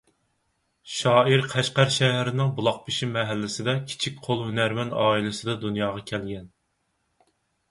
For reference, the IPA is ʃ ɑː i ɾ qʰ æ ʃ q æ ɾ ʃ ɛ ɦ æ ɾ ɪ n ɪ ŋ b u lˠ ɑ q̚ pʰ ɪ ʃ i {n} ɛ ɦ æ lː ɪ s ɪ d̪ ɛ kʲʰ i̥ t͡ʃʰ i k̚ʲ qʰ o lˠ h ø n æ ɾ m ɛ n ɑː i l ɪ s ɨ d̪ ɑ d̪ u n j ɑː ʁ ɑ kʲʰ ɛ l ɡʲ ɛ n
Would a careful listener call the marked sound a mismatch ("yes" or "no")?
yes